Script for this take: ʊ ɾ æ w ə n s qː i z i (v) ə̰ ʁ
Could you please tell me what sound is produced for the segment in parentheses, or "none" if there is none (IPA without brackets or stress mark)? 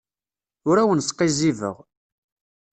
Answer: v